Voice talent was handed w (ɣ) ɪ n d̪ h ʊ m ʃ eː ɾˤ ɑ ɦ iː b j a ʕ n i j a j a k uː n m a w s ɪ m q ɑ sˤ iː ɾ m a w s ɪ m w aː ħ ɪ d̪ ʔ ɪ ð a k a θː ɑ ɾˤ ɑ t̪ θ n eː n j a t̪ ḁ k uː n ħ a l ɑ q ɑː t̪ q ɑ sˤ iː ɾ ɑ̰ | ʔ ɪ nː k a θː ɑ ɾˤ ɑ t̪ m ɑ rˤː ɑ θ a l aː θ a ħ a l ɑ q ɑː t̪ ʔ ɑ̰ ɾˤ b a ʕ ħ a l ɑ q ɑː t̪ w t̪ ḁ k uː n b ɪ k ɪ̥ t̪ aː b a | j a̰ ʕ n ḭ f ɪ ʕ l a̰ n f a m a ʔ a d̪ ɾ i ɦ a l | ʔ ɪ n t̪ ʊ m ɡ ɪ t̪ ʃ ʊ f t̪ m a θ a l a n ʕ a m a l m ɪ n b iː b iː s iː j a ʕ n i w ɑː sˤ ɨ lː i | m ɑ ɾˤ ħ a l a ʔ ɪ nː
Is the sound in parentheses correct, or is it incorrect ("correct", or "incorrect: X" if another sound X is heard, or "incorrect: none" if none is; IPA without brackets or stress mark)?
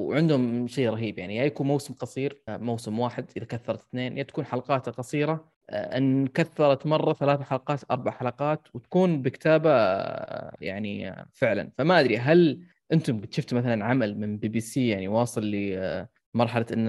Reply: incorrect: ʕ